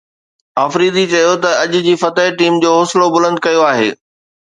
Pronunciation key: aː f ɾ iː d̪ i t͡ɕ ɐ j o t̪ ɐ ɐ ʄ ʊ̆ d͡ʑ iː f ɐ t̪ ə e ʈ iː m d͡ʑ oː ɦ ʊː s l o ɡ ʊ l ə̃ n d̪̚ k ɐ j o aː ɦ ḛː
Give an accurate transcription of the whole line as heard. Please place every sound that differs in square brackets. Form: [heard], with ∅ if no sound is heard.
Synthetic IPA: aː f ɾ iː d̪ i t͡ɕ ɐ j o t̪ ɐ ɐ ʄ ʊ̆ d͡ʑ iː f ɐ t̪ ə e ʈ iː m d͡ʑ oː ɦ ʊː s l o [b] ʊ l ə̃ n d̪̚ k ɐ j o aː ɦ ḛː